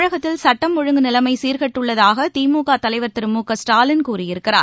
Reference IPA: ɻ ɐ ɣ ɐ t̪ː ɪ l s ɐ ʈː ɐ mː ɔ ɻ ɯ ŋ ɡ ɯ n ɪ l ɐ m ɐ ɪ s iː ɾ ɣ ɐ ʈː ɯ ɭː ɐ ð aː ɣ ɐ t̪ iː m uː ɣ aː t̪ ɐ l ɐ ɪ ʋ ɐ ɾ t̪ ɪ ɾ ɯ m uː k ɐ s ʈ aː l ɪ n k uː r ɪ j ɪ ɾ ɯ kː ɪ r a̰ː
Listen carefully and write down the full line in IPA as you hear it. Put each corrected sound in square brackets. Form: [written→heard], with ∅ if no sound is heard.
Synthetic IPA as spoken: ɻ ɐ ɣ ɐ t̪ː ɪ l s ɐ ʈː ɐ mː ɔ ɻ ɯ ŋ ɡ ɯ n ɪ l ɐ m ɐ ɪ s iː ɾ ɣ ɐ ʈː ɯ ɭː ɐ ð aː ɣ ɐ t̪ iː m uː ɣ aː t̪ ɐ l ɐ ɪ ʋ ɐ ɾ t̪ ɪ ɾ ɯ m uː k ɐ s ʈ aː l ɪ n k uː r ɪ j ɪ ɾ ɯ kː ɪ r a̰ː

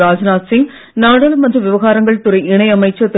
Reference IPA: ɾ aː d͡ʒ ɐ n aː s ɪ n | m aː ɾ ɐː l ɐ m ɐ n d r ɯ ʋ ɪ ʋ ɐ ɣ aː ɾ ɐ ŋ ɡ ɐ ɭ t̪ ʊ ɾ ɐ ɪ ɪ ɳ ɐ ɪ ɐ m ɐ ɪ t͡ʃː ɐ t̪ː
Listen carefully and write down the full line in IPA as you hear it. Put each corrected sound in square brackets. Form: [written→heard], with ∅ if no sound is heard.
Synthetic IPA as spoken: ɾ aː d͡ʒ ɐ n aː s ɪ [n→ŋ] | [m→n] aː [ɾ→ɽ] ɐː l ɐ m ɐ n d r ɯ ʋ ɪ ʋ ɐ ɣ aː ɾ ɐ ŋ ɡ ɐ ɭ t̪ ʊ ɾ ɐ ɪ ɪ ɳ ɐ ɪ ɐ m ɐ ɪ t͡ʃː ɐ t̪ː

